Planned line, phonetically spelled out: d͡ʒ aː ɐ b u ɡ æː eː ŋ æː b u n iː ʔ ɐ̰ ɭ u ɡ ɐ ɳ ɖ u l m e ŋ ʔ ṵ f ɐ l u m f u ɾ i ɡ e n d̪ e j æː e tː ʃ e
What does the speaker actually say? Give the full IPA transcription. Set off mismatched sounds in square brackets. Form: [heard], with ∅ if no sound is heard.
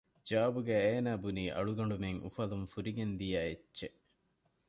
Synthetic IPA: d͡ʒ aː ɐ b u ɡ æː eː [n] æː b u n iː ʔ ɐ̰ ɭ u ɡ ɐ ɳ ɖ u [∅] m e ŋ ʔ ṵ f ɐ l u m f u ɾ i ɡ e n d̪ [i] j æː e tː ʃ e